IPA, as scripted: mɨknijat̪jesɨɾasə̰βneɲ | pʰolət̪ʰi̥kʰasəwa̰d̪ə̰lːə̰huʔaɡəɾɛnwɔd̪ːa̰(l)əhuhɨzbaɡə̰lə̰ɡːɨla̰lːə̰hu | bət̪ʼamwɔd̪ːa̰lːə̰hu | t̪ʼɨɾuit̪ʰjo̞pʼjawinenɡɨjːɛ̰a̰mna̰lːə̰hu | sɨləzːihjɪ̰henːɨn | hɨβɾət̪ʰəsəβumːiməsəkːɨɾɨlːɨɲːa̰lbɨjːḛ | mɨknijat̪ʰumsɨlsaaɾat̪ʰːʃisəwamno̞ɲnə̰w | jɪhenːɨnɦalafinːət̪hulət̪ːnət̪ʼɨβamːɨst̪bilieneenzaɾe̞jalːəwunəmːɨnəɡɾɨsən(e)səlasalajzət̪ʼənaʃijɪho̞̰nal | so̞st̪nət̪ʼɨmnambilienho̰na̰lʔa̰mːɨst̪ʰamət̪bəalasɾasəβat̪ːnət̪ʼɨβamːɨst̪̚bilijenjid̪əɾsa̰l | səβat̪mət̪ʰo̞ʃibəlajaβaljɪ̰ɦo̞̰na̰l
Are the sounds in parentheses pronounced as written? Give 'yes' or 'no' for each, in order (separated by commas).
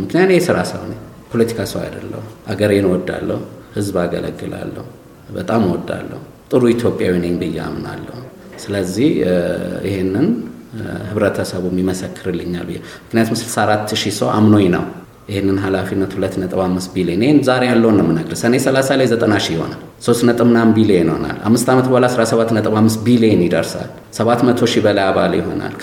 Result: no, yes